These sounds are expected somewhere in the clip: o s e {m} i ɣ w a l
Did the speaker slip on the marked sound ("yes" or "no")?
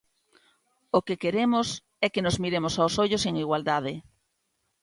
yes